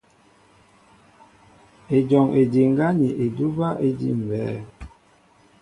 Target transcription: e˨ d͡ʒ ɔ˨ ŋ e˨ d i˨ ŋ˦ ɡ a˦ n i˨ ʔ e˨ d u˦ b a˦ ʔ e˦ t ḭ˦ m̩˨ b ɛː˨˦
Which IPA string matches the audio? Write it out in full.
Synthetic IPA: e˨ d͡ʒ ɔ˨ ŋ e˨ d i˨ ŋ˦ ɡ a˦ n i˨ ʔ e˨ d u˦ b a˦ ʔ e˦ d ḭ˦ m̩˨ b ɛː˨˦